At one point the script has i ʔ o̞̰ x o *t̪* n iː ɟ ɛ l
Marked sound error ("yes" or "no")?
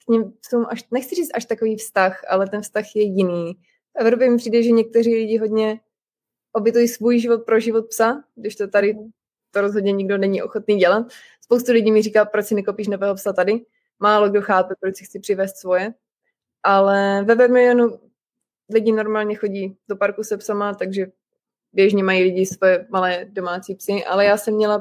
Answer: no